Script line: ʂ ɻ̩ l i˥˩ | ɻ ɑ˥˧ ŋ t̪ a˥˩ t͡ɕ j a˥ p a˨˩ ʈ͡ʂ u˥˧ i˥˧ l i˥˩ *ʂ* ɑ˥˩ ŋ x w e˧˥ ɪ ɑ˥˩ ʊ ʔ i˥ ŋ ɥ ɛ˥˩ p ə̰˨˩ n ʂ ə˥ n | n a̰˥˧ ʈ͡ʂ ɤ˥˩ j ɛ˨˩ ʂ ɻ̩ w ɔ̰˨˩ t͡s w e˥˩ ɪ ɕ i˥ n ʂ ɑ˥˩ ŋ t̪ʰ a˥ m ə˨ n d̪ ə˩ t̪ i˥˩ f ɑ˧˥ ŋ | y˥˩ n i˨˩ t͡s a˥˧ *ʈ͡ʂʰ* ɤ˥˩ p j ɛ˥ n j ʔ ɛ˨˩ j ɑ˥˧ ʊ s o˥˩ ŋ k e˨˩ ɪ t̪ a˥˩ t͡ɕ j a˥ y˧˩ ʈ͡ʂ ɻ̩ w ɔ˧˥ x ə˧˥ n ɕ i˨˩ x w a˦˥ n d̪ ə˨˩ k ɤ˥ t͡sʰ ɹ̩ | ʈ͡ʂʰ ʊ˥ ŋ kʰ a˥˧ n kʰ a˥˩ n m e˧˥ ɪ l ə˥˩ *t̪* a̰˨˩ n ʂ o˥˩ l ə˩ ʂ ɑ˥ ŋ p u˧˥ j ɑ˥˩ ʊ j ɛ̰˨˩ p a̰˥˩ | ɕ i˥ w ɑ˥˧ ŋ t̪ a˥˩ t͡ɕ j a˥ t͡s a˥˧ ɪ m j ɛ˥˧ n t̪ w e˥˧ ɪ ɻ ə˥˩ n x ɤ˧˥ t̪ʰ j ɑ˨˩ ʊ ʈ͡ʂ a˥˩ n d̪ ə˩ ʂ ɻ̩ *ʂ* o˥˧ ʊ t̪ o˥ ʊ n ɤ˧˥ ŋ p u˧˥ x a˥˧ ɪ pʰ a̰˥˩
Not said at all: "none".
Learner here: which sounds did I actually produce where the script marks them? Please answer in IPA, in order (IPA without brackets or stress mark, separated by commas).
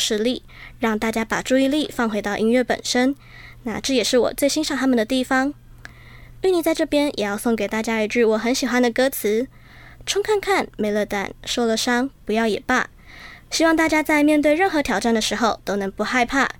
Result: f, ʈ͡ʂ, t̪, x